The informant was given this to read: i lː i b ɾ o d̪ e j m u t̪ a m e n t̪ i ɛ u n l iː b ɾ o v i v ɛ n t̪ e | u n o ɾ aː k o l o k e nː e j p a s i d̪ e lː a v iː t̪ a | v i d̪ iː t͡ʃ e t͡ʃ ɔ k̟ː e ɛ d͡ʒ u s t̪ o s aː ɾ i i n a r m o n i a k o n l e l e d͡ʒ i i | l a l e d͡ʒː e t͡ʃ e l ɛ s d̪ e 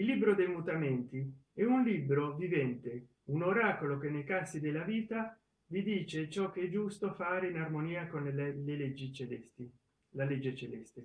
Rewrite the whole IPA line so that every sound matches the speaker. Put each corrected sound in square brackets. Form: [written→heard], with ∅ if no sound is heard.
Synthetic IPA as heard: i lː i b ɾ o d̪ e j m u t̪ a m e n t̪ i ɛ u n l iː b ɾ o v i v ɛ n t̪ e | u n o ɾ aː k o l o k e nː e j [p→k] a s i d̪ e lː a v iː t̪ a | v i d̪ iː t͡ʃ e t͡ʃ ɔ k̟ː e ɛ d͡ʒ u s t̪ o [s→f] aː ɾ [i→e] i n a r m o n [i→iː] a k o n l e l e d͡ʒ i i | l a l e d͡ʒː e t͡ʃ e l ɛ s [d̪→t̪] e